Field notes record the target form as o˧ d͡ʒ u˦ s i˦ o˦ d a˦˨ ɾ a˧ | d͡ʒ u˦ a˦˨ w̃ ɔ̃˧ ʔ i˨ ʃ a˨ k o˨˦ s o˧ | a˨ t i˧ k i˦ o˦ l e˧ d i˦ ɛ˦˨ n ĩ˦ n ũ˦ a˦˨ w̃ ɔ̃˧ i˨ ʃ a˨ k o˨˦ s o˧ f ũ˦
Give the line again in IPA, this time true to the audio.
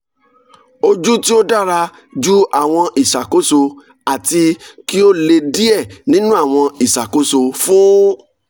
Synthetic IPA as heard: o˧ d͡ʒ u˦ t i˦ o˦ d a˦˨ ɾ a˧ | d͡ʒ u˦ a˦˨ w̃ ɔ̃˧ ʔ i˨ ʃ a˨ k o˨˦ s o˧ | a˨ t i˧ k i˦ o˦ l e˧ d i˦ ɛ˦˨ n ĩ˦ n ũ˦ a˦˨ w̃ ɔ̃˧ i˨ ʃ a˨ k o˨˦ s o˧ f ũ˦

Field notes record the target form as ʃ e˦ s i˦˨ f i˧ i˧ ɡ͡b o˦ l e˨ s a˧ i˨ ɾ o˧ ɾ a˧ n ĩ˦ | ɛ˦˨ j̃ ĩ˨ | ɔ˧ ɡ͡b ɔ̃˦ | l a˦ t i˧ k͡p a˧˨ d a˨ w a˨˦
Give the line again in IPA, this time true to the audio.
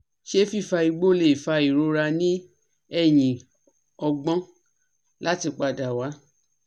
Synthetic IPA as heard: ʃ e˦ f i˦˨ f a˧ i˧ ɡ͡b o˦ l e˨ f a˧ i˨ ɾ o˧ ɾ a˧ n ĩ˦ | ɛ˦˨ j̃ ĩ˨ | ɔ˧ ɡ͡b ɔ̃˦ | l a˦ t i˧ k͡p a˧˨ d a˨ w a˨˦

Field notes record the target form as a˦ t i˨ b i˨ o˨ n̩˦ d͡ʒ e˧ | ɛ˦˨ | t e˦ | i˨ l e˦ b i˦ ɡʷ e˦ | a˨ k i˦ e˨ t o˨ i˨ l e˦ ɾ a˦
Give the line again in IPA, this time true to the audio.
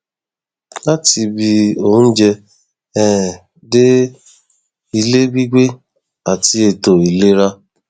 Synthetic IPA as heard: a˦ t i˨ b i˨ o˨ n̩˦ d͡ʒ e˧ | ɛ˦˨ | d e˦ | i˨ l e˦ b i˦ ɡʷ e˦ | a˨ t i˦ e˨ t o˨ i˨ l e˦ ɾ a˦

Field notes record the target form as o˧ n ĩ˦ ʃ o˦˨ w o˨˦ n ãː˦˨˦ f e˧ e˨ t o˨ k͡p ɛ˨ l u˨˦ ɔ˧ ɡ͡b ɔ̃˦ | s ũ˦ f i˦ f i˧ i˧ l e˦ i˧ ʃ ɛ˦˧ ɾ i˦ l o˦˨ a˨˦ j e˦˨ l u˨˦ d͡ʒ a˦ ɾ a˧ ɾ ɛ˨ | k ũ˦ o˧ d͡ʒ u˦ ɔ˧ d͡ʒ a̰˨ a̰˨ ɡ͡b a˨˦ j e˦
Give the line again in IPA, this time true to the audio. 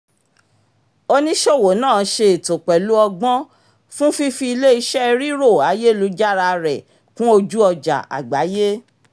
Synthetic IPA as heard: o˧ n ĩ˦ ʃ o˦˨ w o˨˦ n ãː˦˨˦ ʃ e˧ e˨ t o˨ k͡p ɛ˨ l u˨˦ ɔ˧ ɡ͡b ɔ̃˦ | f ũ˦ f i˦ f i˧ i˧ l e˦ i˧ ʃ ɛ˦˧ ɾ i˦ ɾ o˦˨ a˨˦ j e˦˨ l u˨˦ d͡ʒ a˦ ɾ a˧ ɾ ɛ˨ | k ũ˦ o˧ d͡ʒ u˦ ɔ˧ d͡ʒ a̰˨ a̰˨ ɡ͡b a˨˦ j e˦

